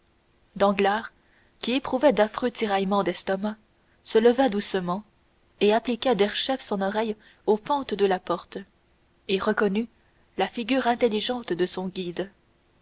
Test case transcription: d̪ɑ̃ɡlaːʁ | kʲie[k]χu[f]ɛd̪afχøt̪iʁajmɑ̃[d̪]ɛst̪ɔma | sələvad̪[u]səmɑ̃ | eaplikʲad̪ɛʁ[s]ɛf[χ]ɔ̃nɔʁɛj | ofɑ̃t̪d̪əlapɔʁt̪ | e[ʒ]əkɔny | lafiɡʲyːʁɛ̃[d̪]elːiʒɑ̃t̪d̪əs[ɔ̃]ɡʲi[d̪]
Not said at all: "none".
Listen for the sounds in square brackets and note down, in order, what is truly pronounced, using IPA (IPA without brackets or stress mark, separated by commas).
p, v, d̪, u, ʃ, s, ʁ, t̪, ɔ̃, d̪